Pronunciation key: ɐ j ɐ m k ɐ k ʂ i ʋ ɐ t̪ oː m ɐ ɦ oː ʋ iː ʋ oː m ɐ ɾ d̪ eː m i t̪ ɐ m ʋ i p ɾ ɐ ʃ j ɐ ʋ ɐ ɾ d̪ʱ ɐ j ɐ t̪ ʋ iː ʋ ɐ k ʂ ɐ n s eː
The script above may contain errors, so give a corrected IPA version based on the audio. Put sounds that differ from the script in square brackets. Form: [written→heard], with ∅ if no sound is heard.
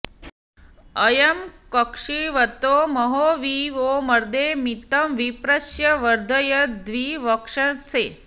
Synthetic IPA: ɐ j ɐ m k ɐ k ʂ i ʋ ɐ t̪ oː m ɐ ɦ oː ʋ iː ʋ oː m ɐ ɾ d̪ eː m i t̪ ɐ m ʋ i p ɾ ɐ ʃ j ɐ ʋ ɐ ɾ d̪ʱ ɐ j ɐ [t̪→d̪] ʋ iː ʋ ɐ k ʂ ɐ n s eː